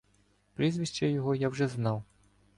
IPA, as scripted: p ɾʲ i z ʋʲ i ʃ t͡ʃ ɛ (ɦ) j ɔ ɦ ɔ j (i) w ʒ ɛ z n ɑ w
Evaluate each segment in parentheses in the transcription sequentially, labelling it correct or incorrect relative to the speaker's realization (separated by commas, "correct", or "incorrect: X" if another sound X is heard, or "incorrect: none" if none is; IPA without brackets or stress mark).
incorrect: none, incorrect: a